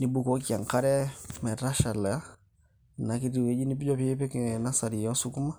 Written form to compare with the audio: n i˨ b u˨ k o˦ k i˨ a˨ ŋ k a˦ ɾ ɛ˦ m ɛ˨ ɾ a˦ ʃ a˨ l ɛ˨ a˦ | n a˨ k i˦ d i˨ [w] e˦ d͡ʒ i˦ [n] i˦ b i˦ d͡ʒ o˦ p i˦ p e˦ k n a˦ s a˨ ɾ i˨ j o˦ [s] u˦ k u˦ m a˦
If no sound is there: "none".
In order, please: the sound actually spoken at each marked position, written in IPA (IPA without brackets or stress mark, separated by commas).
w, n, s